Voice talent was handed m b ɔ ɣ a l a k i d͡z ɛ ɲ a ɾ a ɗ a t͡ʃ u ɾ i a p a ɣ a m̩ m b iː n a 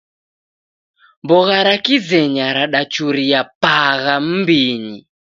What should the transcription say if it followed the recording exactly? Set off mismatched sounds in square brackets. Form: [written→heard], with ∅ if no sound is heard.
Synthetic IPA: m b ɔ ɣ a [l→ɾ] a k i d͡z ɛ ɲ a ɾ a ɗ a t͡ʃ u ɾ i a p a ɣ a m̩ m b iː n [a→i]